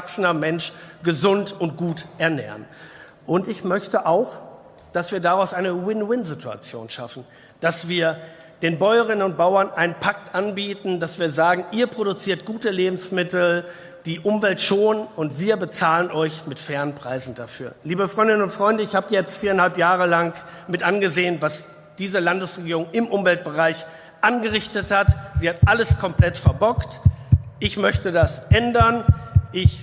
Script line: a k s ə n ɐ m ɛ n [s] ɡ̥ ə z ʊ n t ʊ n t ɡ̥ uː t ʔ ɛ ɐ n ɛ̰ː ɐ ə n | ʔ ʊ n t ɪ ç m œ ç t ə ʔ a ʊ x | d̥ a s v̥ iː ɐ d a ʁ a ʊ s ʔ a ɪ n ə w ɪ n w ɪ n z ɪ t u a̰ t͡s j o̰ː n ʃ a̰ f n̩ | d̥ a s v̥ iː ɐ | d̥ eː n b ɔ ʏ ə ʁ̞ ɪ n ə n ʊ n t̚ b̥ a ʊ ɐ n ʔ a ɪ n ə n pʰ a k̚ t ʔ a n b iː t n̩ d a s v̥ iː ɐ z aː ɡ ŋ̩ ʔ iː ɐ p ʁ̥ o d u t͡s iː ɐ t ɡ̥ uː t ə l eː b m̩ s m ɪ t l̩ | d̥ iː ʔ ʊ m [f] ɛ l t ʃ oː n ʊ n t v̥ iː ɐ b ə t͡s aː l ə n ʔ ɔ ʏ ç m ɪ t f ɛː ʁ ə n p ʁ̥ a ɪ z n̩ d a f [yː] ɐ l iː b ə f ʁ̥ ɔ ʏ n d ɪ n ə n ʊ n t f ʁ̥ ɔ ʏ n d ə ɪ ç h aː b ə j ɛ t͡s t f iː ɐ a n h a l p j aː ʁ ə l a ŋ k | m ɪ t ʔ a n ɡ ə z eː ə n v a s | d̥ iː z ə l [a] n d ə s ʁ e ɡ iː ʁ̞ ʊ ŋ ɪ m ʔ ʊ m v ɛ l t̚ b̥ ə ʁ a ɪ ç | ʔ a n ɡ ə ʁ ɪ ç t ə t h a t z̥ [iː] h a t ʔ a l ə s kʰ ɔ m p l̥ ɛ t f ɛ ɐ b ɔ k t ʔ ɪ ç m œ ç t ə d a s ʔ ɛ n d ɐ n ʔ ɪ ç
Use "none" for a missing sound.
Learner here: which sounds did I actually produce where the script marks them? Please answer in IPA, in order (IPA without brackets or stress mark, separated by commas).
ʃ, v, yː, a, iː